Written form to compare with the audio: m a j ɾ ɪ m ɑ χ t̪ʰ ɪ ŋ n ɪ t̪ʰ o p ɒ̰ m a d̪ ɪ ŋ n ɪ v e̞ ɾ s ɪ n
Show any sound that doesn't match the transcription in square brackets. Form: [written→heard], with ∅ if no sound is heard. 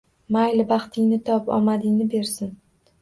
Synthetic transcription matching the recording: m a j [ɾ→l] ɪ [m→b] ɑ χ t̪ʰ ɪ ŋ n ɪ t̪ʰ [o→ɒ] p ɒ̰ m a d̪ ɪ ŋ n ɪ [v→b] e̞ ɾ s ɪ n